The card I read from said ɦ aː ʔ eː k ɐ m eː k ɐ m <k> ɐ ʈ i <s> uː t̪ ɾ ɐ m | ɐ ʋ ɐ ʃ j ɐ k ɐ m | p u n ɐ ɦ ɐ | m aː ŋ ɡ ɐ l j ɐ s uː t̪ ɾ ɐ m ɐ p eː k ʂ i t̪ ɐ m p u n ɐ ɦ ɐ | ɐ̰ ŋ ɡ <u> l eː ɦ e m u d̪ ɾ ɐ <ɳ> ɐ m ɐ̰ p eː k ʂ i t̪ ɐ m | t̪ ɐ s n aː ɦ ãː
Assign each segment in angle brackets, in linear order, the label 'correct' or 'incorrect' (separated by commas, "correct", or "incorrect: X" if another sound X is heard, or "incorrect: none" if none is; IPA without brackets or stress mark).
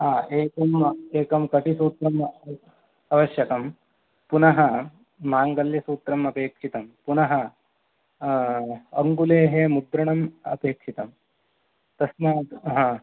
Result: correct, correct, correct, correct